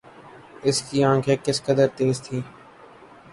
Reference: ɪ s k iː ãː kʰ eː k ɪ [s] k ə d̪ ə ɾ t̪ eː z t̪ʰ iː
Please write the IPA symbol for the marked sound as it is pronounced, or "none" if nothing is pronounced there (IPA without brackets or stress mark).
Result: s